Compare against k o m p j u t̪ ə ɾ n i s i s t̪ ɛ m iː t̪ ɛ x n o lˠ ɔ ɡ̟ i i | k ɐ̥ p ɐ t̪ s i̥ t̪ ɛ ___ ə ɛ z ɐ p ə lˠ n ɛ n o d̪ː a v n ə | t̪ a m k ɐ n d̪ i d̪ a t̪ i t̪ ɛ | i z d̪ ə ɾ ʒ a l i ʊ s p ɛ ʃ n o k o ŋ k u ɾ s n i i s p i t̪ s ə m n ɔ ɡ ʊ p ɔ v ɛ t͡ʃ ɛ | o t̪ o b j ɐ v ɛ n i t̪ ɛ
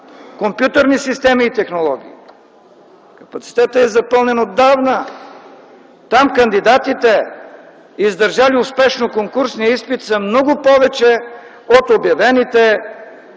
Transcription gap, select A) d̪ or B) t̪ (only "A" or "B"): B